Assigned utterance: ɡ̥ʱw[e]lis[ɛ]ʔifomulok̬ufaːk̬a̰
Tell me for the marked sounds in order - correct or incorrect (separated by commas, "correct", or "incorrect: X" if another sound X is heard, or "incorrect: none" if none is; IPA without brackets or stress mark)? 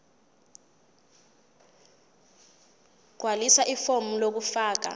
incorrect: a, incorrect: a